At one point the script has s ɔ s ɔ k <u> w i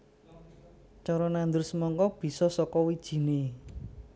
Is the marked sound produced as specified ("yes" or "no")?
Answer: no